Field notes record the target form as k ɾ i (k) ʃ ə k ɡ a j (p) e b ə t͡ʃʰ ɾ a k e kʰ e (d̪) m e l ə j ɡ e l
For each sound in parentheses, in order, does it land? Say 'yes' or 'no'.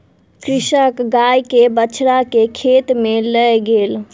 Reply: no, no, no

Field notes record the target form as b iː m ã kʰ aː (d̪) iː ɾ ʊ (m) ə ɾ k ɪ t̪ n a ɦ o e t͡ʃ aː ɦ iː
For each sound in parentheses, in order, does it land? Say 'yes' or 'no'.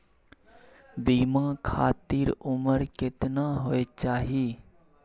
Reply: no, yes

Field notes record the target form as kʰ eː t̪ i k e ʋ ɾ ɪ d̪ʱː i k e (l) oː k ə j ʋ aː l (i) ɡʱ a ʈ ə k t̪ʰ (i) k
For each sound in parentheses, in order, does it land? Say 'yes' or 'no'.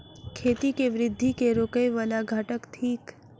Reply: no, no, no

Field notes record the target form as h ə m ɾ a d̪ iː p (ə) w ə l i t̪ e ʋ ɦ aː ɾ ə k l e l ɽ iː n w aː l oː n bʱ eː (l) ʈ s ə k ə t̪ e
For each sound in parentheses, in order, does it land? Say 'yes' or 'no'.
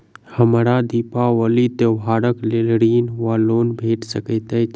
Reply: no, no

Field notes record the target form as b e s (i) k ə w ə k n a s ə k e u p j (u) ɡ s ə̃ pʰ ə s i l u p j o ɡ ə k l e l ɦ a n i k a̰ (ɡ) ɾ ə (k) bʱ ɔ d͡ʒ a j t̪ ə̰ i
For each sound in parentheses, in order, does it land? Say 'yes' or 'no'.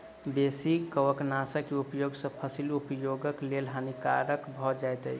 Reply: yes, no, no, yes

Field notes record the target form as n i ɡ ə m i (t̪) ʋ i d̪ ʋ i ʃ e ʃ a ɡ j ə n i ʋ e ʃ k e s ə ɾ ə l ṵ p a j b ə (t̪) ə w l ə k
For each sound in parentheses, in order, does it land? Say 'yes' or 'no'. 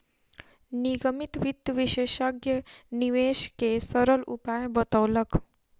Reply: yes, yes

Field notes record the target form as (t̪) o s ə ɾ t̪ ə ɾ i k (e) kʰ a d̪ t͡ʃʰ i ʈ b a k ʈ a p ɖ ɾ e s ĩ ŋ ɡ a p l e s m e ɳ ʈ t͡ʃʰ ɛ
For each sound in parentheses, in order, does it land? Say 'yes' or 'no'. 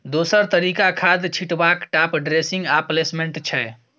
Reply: no, no

